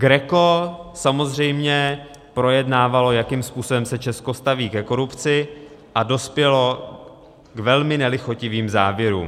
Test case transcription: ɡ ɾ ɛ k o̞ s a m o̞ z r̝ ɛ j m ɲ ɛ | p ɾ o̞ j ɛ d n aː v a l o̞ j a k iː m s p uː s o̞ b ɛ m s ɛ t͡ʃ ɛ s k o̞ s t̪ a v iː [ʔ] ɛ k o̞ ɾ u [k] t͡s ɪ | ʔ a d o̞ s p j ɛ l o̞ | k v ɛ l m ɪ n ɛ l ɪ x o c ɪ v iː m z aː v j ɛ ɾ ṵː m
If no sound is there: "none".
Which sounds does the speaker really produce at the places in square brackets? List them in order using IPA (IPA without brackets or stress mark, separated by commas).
k, p